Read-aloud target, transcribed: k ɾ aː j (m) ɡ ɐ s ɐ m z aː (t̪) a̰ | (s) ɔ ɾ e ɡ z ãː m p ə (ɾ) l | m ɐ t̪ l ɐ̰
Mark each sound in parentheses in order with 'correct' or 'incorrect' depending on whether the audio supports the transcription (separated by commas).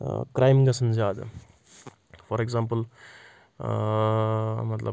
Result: correct, incorrect, incorrect, incorrect